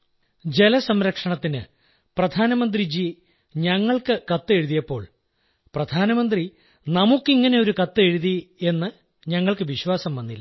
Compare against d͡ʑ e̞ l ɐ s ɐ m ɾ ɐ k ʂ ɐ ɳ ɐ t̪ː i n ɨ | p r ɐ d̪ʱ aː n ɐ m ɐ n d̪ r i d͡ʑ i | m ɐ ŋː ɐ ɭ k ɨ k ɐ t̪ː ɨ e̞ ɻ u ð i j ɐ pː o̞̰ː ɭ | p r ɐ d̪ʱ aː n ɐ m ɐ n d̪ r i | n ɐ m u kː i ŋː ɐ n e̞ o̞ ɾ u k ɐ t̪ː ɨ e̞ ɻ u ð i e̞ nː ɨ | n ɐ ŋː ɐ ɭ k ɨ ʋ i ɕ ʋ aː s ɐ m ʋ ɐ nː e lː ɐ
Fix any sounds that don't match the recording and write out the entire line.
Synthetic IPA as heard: d͡ʑ e̞ l ɐ s ɐ m ɾ ɐ k ʂ ɐ ɳ ɐ t̪ː i n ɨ | p r ɐ d̪ʱ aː n ɐ m ɐ n d̪ r i d͡ʑ i | ɲ ɐ ŋː ɐ ɭ k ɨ k ɐ t̪ː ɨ e̞ ɻ u ð i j ɐ pː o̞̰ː ɭ | p r ɐ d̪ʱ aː n ɐ m ɐ n d̪ r i | n ɐ m u kː i ŋː ɐ n e̞ o̞ ɾ u k ɐ t̪ː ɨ e̞ ɻ u ð i e̞ nː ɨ | ɲ ɐ ŋː ɐ ɭ k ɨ ʋ i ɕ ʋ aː s ɐ m ʋ ɐ nː i lː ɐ